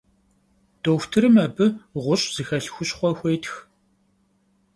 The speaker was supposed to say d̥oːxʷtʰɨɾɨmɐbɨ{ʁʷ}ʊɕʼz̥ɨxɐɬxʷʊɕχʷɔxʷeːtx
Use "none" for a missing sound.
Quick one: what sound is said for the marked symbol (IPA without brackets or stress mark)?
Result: ʁʷ